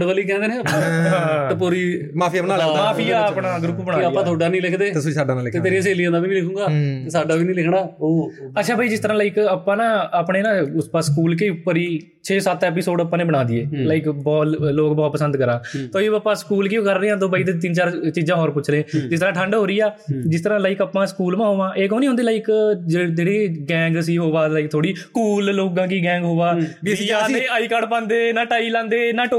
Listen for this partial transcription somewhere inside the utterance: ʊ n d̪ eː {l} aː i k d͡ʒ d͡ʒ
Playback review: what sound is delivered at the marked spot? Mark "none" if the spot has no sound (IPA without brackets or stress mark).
l